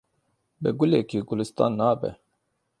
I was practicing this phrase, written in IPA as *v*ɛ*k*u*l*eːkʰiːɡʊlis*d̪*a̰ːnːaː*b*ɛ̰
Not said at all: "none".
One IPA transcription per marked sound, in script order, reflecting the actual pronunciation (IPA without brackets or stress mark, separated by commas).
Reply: b, ɡ, l, t̪, b